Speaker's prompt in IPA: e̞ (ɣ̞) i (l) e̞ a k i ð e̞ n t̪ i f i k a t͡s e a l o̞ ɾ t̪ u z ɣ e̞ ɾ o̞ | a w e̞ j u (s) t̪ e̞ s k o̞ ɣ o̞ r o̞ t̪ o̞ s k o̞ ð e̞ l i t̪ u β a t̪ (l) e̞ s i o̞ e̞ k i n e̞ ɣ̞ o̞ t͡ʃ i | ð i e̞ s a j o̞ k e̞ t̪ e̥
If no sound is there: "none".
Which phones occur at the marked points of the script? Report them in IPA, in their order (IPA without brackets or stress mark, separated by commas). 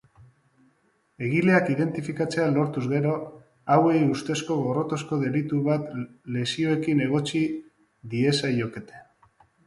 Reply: ɣ̞, l, s, l